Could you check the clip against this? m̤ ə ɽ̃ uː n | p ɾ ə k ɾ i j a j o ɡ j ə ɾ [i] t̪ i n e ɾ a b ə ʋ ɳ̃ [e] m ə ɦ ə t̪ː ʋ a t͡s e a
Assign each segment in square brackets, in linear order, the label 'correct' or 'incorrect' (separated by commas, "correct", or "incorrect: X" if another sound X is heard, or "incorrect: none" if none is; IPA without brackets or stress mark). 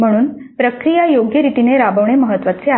correct, correct